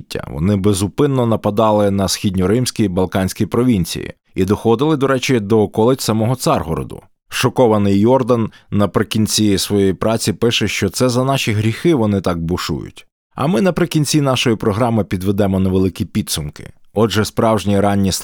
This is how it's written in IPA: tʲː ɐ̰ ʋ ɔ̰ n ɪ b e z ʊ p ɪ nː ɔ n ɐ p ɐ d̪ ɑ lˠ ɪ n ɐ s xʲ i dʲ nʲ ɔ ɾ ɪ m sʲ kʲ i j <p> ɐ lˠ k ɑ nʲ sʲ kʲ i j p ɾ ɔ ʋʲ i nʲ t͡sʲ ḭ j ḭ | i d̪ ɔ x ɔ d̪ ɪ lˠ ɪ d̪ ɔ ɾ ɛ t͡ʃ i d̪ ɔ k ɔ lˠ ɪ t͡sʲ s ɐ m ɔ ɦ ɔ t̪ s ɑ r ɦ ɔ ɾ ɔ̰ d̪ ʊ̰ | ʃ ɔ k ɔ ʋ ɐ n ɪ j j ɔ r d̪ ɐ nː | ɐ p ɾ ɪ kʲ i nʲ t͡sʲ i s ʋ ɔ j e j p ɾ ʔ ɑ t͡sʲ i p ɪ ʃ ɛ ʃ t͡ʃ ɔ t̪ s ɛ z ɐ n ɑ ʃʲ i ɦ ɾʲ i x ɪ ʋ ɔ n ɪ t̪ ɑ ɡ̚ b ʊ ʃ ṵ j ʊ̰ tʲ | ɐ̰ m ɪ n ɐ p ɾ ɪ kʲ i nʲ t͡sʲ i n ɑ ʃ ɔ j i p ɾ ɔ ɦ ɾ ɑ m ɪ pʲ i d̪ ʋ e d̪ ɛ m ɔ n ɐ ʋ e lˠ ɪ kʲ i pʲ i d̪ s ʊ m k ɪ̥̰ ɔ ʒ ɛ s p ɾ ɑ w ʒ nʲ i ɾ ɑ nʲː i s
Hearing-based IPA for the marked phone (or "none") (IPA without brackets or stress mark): b